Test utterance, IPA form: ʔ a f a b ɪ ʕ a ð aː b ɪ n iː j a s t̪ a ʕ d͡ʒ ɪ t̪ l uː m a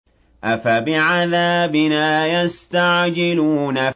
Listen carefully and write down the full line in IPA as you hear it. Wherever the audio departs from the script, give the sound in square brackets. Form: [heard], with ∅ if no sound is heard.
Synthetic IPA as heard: ʔ a f a b ɪ ʕ a ð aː b ɪ n [aː] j a s t̪ a ʕ d͡ʒ ɪ [∅] l uː [n] a

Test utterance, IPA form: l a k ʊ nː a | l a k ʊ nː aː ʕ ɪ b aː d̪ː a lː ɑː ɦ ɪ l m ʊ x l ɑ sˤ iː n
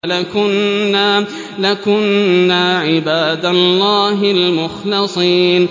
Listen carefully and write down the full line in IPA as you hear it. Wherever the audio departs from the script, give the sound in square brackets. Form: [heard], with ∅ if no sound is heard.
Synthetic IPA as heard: l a k ʊ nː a | l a k ʊ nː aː ʕ ɪ b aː [d̪] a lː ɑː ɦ ɪ l m ʊ x l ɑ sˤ iː n

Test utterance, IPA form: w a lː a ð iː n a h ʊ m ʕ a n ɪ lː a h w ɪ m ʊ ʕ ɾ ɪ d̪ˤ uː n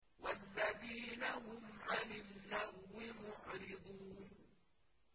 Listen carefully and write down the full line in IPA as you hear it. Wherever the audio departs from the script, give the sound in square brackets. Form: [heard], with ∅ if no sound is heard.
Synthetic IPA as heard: w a lː a ð iː n a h ʊ m ʕ a n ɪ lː a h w ɪ m ʊ ʕ ɾ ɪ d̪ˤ uː n

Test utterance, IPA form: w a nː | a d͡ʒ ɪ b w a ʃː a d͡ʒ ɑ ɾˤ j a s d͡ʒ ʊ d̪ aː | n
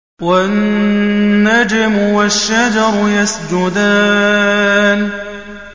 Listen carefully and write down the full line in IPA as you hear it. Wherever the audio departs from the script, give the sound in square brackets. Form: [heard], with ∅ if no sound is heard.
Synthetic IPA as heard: w a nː | a d͡ʒ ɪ [m] w a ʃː a d͡ʒ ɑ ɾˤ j a s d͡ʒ ʊ d̪ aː | n

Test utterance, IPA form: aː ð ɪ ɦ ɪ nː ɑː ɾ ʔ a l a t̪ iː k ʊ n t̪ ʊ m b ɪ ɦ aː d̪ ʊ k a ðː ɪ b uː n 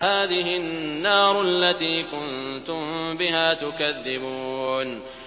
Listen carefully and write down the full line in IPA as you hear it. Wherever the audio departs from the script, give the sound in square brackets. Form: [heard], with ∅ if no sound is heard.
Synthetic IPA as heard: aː ð ɪ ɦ ɪ nː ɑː ɾ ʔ a [lː] a t̪ iː k ʊ n t̪ ʊ m b ɪ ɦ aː [t̪] ʊ k a ðː ɪ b uː n

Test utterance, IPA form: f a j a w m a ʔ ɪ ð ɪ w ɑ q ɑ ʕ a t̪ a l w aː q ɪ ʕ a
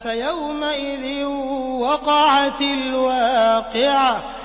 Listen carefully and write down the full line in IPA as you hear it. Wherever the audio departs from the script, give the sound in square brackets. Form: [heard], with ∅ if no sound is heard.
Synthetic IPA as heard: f a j a w m a ʔ ɪ ð ɪ w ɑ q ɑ ʕ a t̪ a l w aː q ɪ ʕ a

